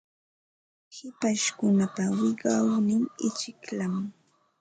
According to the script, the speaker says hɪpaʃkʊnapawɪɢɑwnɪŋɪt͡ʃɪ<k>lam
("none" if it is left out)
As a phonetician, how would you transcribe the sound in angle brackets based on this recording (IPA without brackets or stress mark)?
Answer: k